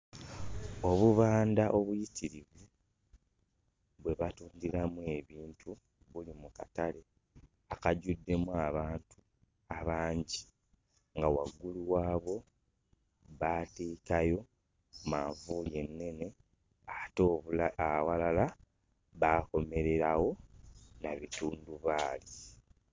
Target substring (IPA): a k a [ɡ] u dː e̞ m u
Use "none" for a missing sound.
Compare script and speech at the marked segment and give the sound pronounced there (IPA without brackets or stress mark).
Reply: ɟ